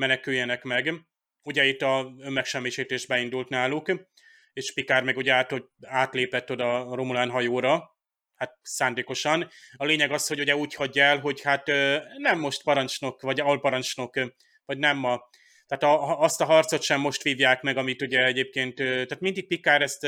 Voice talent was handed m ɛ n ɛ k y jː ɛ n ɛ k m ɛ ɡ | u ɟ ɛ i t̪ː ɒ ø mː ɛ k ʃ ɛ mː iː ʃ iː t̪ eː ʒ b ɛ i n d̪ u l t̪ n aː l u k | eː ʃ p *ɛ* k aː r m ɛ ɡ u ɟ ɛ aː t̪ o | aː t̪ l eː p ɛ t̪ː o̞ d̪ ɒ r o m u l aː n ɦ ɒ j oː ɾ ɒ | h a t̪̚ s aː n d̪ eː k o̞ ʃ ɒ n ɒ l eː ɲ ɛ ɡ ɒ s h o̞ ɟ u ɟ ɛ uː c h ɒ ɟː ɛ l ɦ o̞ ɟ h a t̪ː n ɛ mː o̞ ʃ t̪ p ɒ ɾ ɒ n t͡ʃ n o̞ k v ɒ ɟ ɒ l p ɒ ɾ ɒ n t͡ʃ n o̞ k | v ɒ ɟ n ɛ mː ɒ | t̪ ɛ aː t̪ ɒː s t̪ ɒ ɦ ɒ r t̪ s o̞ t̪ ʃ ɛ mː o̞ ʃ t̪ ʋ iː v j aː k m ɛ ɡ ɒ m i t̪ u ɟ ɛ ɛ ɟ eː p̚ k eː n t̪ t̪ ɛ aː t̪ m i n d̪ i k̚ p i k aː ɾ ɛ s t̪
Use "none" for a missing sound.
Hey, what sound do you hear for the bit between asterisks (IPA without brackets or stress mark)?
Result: i